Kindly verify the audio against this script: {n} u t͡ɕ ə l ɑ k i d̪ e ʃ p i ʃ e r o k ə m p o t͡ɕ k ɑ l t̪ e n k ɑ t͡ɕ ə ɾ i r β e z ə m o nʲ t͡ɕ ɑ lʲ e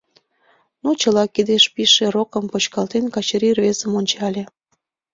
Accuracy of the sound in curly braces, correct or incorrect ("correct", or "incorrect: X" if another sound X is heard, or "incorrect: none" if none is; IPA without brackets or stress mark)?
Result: correct